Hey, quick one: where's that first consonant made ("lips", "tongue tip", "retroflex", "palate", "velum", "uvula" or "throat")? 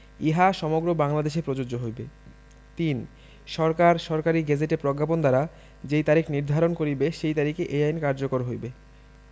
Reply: throat